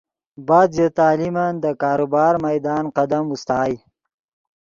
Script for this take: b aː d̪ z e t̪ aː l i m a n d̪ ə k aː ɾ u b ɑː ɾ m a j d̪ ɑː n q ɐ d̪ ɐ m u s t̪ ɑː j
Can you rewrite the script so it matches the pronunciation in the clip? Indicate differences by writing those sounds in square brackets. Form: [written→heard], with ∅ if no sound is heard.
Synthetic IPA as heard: b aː d̪ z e t̪ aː l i m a n d̪ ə k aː ɾ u b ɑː ɾ m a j d̪ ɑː n q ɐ d̪ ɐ m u s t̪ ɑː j